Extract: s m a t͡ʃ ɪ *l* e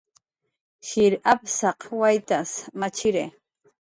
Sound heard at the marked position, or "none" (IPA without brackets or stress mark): ɾ